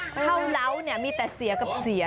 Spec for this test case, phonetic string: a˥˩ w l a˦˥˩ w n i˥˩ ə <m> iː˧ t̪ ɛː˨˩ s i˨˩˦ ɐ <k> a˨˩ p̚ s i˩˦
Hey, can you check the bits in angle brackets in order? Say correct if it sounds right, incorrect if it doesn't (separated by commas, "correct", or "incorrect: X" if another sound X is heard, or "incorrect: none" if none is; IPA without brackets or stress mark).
correct, correct